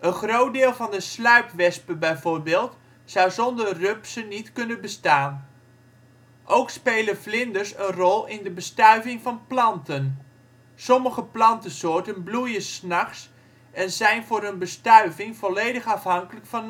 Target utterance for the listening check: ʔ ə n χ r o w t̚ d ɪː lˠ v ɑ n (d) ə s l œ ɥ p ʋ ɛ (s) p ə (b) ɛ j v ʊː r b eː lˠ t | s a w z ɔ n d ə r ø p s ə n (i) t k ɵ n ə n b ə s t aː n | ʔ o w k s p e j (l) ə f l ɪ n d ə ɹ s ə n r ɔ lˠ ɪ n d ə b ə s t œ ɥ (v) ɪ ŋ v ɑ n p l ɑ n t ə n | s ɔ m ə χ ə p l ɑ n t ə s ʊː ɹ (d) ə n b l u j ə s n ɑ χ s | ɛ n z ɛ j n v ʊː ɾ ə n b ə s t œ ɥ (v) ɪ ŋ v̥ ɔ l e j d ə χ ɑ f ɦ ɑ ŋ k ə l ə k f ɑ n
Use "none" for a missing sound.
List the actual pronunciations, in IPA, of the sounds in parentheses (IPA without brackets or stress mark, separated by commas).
d, s, b, i, l, v, t, v